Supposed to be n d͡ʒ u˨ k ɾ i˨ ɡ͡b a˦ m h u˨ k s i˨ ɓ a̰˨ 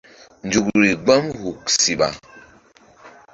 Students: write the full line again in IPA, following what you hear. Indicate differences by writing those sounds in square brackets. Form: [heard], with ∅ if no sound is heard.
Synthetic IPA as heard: n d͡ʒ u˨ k ɾ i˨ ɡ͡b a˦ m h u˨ k s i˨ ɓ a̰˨